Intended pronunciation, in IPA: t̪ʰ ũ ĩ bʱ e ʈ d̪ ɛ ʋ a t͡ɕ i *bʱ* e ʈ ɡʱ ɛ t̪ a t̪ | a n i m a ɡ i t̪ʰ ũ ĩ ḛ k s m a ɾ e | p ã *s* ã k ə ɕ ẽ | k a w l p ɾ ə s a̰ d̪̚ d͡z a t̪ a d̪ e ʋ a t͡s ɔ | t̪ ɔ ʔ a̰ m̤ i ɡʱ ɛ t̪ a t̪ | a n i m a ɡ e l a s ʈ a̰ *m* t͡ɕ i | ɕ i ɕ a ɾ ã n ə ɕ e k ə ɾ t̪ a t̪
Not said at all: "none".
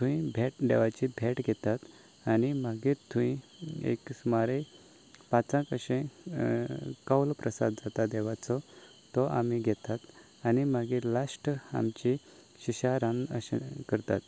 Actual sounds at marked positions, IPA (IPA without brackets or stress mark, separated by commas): bʱ, t͡s, m